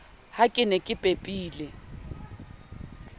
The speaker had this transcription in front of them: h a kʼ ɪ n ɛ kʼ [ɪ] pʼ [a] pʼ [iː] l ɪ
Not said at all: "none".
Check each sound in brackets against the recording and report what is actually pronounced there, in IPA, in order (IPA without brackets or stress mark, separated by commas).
ɪ, e, iː